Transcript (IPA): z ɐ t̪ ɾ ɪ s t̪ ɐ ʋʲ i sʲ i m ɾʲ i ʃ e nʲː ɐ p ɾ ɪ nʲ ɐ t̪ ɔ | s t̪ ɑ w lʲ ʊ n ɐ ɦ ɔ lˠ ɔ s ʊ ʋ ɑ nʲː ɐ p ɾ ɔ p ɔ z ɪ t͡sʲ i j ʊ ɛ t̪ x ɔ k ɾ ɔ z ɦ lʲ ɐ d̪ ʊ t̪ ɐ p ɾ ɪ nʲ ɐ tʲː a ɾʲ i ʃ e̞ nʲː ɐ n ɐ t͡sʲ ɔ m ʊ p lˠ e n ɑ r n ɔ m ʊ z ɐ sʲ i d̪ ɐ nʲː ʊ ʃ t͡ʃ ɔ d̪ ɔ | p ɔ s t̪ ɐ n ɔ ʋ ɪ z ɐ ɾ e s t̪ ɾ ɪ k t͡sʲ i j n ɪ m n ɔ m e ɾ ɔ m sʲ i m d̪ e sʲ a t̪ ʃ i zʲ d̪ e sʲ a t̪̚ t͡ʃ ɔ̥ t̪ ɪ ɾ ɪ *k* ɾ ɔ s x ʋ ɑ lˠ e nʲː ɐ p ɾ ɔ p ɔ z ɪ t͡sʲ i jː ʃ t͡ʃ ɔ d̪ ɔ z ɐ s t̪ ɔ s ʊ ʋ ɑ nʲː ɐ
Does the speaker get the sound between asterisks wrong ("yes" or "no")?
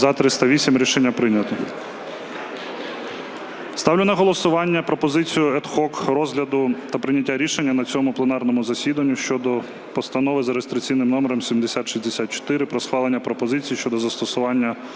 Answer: yes